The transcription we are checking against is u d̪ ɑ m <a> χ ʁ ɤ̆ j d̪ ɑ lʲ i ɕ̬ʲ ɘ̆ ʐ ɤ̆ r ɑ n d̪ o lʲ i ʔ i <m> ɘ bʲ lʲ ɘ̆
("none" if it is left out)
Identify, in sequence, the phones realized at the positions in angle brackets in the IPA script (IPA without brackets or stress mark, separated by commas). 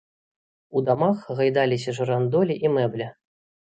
ɑ, m